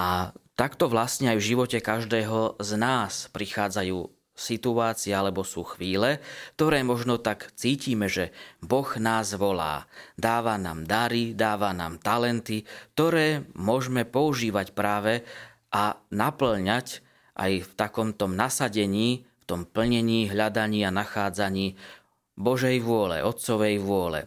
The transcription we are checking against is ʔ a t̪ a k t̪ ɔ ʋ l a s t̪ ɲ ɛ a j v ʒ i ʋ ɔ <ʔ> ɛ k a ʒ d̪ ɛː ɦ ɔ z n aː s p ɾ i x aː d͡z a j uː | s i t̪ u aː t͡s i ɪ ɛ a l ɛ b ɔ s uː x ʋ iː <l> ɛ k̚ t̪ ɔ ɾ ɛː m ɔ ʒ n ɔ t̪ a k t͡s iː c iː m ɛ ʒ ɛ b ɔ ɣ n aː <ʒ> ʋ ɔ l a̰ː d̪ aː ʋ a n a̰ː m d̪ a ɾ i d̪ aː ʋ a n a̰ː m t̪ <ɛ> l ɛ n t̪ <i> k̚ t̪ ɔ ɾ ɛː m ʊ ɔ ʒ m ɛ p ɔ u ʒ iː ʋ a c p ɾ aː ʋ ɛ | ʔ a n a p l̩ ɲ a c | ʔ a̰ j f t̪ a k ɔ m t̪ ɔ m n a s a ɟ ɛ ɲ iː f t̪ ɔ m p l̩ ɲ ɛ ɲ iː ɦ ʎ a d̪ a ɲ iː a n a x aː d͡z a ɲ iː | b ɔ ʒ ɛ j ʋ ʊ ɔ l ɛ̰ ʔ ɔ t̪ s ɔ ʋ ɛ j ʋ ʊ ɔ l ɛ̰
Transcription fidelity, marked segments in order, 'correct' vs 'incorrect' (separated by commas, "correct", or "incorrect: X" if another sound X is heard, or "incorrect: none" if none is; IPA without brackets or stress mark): incorrect: c, correct, incorrect: z, incorrect: a, correct